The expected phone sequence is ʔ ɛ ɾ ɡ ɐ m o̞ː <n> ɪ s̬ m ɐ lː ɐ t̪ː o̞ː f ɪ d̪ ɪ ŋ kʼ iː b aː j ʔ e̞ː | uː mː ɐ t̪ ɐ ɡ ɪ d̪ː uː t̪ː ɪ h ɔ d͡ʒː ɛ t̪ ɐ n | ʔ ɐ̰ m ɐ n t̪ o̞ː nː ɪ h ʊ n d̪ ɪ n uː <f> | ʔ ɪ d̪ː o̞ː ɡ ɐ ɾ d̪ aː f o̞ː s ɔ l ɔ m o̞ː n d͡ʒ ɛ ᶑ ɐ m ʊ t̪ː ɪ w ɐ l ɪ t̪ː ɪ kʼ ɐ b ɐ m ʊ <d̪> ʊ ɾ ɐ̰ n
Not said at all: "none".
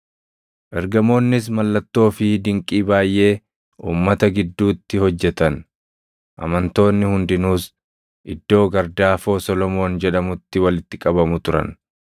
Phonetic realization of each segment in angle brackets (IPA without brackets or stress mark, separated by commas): nː, s, t̪